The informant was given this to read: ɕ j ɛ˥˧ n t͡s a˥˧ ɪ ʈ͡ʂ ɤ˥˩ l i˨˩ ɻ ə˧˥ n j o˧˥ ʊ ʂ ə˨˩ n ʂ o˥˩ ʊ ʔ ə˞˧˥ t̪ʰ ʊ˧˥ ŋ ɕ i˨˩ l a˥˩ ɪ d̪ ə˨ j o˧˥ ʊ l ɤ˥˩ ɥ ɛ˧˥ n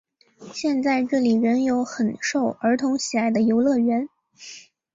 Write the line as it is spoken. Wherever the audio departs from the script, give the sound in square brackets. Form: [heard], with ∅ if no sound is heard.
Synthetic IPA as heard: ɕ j ɛ˥˧ n t͡s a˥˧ ɪ ʈ͡ʂ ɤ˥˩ l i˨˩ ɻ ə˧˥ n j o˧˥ ʊ [x] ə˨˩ n ʂ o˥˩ ʊ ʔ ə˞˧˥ t̪ʰ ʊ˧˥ ŋ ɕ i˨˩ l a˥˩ ɪ d̪ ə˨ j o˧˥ ʊ l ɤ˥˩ ɥ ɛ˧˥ n